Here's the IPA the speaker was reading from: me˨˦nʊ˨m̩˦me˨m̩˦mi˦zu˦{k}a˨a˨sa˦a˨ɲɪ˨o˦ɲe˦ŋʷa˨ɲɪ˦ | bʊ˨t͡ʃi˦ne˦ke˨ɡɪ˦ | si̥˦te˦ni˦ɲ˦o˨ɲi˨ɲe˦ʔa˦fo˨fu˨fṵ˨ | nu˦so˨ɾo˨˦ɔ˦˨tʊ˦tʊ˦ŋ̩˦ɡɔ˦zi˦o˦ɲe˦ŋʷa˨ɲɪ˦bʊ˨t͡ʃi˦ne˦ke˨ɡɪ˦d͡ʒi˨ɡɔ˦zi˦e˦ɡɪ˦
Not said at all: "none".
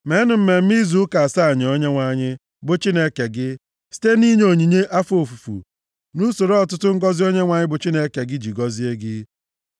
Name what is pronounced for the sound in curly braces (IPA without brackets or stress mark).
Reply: k